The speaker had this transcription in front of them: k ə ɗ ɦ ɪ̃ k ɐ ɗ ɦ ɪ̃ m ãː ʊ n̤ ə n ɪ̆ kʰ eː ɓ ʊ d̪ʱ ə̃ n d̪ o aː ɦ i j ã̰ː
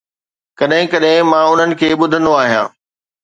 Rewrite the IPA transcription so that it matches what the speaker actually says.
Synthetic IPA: k ɐ ɗ ɦ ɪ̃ k ɐ ɗ ɦ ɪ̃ m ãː ʊ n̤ ə n ɪ̆ kʰ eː ɓ ʊ d̪ʱ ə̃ n d̪ o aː ɦ i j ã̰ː

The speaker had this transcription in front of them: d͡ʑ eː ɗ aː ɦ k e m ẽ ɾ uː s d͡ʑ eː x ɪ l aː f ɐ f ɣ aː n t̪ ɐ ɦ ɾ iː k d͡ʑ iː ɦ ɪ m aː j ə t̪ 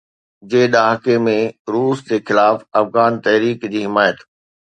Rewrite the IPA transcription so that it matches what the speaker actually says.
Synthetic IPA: d͡ʑ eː ɗ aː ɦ k e m ẽ ɾ uː s d͡ʑ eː x ɪ l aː f ɐ f ɣ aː n t̪ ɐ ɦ ɾ iː k d͡ʑ iː ɦ ɪ m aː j ə t̪

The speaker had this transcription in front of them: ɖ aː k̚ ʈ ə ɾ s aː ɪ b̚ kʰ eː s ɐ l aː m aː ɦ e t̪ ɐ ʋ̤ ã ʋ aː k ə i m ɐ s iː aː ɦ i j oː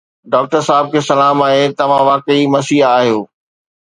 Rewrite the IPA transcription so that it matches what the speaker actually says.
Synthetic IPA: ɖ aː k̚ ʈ ə ɾ s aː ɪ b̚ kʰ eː s ɐ l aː m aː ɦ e t̪ ɐ ʋ̤ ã ʋ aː k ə i m ɐ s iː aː ɦ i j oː

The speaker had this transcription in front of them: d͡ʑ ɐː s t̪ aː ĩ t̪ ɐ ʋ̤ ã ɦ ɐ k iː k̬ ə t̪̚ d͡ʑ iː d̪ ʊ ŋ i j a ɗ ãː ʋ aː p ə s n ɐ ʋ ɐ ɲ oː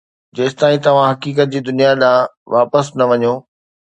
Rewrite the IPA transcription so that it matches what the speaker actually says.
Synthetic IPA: d͡ʑ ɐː s t̪ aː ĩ t̪ ɐ ʋ̤ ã ɦ ɐ k iː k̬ ə t̪̚ d͡ʑ iː d̪ ʊ n i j a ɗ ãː ʋ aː p ə s n ɐ ʋ ɐ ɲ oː

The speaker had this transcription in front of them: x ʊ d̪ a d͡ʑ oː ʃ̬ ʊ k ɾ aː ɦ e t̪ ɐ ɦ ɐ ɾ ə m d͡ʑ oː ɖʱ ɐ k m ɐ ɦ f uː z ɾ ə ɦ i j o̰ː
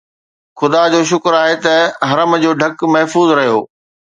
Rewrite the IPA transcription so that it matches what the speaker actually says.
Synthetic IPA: x ʊ d̪ a d͡ʑ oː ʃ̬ ʊ k ɾ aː ɦ e t̪ ɐ ɦ ɐ ɾ ə m d͡ʑ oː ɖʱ ɐ k m ɐ ɦ f uː z ɾ ɐ ɦ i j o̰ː

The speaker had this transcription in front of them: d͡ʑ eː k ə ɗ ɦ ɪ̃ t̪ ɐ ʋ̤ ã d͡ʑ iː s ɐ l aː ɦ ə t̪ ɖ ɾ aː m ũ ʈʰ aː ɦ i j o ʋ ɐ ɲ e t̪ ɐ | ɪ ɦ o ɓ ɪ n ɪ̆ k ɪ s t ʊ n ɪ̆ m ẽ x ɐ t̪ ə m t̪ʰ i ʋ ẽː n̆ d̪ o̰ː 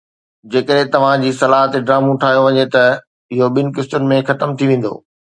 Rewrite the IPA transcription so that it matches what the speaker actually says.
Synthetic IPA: d͡ʑ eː k ə ɗ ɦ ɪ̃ t̪ ɐ ʋ̤ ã d͡ʑ iː s ɐ l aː ɦ ə t̪ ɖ ɾ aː m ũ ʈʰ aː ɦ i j o ʋ ɐ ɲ e t̪ ɐ | ɪ ɦ o ɓ ɪ n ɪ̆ k ɪ s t ʊ n ɪ̆ m ẽ x ɐ t̪ ə m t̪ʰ i ʋ ẽː n̆ d̪ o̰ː

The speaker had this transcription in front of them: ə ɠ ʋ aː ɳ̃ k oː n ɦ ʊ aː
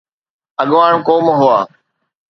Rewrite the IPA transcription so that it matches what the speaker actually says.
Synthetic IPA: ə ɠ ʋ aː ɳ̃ k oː m ɦ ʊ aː

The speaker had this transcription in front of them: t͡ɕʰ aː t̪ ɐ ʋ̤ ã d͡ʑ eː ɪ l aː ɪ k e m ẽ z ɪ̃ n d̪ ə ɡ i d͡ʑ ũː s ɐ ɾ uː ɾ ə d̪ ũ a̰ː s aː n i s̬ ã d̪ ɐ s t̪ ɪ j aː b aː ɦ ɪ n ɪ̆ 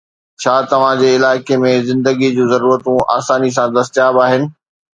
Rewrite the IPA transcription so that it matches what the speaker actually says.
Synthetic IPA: t͡ɕʰ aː t̪ ɐ ʋ̤ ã d͡ʑ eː ɪ l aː ɪ k e m ẽ z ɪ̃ n d̪ ə ɡ i d͡ʑ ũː z ɐ ɾ uː ɾ ə t̪ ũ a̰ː s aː n i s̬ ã d̪ ɐ s t̪ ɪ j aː b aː ɦ ɪ n ɪ̆

